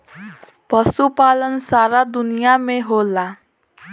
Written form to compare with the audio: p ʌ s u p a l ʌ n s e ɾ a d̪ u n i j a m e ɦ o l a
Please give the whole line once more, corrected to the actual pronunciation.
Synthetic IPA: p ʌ s u p a l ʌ n s a ɾ a d̪ u n i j a m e ɦ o l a